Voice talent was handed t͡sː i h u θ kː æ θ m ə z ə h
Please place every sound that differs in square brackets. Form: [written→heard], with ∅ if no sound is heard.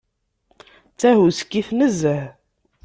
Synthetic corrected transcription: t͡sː [i→æ] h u [θ→s] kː [æ→i] θ [m→n] ə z ə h